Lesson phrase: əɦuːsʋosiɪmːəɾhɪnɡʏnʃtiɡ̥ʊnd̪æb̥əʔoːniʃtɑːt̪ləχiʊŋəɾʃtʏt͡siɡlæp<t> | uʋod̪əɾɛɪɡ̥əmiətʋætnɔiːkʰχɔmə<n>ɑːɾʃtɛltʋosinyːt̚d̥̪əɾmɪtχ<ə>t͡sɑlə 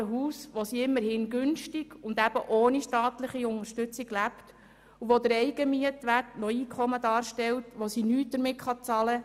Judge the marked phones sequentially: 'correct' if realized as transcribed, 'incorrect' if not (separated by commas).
correct, incorrect, incorrect